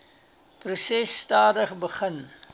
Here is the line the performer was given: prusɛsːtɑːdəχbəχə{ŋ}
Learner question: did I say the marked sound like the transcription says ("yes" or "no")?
no